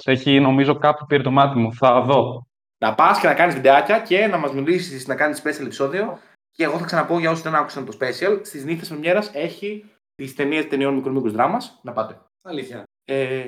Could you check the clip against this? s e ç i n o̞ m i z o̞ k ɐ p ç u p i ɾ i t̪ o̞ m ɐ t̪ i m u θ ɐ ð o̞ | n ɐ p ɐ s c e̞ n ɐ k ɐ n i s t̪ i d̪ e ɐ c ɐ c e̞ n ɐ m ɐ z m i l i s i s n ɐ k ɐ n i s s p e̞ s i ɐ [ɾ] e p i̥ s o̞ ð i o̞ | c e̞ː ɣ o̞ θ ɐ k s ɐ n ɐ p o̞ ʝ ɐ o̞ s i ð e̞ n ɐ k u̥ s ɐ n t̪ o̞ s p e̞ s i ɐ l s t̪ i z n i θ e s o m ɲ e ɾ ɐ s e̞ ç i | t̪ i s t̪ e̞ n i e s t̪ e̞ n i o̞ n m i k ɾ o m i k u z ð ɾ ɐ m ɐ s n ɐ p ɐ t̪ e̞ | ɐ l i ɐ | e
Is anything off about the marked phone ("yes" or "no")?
yes